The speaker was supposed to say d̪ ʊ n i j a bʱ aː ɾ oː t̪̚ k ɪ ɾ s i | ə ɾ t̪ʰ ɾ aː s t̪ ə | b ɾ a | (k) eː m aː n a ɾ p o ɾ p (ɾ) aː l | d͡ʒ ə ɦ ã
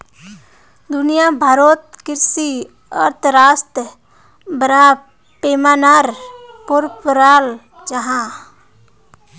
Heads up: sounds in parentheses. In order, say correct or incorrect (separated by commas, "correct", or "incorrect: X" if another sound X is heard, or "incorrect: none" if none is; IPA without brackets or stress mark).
incorrect: p, correct